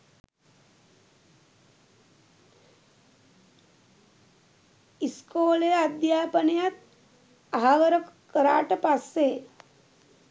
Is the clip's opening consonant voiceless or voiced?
voiceless